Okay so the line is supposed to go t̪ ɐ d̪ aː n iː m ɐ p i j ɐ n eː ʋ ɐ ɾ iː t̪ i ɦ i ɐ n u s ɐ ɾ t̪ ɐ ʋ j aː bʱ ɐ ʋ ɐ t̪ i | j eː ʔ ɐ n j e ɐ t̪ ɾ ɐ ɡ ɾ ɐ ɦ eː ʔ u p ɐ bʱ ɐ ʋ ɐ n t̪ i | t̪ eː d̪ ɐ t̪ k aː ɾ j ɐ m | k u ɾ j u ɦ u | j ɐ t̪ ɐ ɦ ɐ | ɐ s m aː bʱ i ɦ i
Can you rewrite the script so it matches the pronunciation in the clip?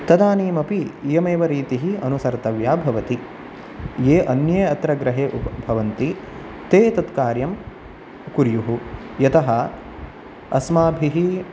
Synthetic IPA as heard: t̪ ɐ d̪ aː n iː m ɐ p i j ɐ m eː ʋ ɐ ɾ iː t̪ i ɦ i ɐ n u s ɐ ɾ t̪ ɐ ʋ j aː bʱ ɐ ʋ ɐ t̪ i | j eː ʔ ɐ n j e ɐ t̪ ɾ ɐ ɡ ɾ ɐ ɦ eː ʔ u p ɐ bʱ ɐ ʋ ɐ n t̪ i | t̪ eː t̪ ɐ t̪ k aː ɾ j ɐ m | k u ɾ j u ɦ u | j ɐ t̪ ɐ ɦ ɐ | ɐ s m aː bʱ i ɦ i